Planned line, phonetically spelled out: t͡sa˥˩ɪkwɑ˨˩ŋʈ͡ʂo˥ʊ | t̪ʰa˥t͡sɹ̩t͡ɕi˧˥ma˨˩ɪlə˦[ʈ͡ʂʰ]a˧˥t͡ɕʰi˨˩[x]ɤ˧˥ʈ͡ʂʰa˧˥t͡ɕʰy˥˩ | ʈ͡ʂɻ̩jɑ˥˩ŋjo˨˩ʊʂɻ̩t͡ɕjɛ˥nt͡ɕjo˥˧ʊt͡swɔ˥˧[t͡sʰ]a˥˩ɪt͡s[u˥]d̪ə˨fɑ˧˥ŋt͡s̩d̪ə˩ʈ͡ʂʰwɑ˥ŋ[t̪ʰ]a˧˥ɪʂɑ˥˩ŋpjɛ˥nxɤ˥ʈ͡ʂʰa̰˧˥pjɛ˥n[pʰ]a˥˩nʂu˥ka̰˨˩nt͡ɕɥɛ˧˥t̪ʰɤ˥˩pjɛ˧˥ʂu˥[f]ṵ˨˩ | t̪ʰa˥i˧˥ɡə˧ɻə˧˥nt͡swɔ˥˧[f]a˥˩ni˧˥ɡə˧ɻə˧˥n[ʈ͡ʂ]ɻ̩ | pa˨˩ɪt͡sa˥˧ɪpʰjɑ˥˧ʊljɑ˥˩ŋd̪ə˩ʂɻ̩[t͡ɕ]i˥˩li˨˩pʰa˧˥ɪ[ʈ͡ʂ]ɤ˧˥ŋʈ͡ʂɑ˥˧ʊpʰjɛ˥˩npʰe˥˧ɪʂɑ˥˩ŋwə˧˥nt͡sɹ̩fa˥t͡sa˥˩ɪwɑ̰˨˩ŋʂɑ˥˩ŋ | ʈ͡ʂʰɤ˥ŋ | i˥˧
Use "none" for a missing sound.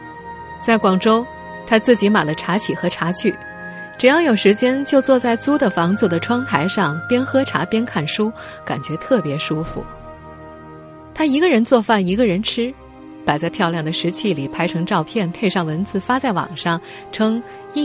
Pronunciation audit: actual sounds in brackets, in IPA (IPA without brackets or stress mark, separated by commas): ʈ͡ʂʰ, x, t͡s, u˥, t̪ʰ, kʰ, f, f, ʈ͡ʂʰ, t͡ɕʰ, ʈ͡ʂʰ